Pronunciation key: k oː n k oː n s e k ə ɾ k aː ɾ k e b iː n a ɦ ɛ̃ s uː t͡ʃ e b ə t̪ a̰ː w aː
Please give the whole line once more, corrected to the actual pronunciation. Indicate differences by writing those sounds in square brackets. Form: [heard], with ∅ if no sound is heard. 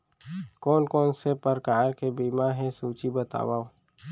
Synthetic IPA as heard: k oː n k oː n s e [p] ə ɾ k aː ɾ k e b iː [m] a ɦ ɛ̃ s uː t͡ʃ [i] b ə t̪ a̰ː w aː